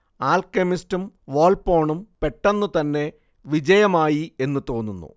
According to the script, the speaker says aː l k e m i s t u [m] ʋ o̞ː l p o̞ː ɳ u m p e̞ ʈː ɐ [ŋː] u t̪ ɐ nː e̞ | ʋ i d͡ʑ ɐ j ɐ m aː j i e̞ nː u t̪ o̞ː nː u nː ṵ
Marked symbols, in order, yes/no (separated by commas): yes, no